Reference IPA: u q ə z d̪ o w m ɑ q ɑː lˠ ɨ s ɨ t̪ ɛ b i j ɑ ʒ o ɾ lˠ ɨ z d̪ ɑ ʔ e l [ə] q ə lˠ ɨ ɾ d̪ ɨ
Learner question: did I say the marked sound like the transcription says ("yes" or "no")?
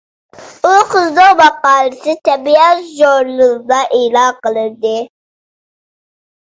no